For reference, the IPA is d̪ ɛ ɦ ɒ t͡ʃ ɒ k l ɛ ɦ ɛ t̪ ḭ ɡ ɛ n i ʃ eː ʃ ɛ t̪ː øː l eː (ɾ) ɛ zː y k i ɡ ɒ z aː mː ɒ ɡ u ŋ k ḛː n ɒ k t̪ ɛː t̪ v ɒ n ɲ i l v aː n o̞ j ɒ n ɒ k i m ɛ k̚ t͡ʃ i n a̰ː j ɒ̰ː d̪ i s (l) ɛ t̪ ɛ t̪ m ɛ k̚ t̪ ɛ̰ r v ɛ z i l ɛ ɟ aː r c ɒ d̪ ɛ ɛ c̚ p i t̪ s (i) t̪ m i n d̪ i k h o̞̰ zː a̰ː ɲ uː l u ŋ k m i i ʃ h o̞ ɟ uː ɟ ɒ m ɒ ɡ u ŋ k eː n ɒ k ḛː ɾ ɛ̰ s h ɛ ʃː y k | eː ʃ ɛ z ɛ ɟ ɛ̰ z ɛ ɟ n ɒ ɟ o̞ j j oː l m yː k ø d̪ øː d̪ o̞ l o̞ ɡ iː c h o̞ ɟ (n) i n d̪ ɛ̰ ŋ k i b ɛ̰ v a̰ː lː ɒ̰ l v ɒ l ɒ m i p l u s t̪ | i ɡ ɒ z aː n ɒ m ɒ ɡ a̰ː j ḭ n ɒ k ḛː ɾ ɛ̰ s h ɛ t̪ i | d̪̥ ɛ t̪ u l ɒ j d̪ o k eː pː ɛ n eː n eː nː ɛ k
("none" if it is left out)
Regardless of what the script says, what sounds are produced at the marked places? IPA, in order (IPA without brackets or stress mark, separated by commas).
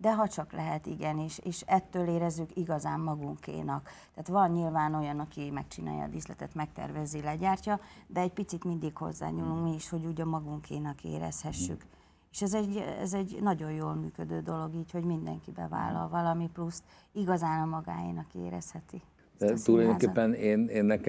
ɾ, l, i, m